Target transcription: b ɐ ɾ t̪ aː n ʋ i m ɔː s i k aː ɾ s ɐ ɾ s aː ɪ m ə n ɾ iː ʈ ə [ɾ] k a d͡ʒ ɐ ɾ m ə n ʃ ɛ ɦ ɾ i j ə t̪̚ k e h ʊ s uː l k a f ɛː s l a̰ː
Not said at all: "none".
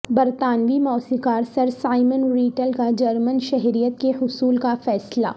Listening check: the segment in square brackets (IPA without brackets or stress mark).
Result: l